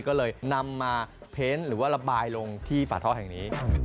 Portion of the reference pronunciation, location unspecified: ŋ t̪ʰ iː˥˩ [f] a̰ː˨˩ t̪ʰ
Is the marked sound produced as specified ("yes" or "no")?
yes